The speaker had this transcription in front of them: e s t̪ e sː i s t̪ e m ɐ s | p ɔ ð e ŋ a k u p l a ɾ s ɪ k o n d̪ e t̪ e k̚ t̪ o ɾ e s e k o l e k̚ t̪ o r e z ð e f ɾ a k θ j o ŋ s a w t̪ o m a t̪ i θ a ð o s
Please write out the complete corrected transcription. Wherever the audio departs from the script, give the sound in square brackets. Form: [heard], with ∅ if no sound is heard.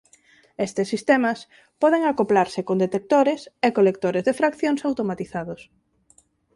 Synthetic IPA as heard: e s t̪ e sː i s t̪ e m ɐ s | p ɔ ð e ŋ a k [o] p l a ɾ s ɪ k o n d̪ e t̪ e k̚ t̪ o ɾ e s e k o l e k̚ t̪ o [ɾ] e z ð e f ɾ a k θ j o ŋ s a w t̪ o m a t̪ i θ a ð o s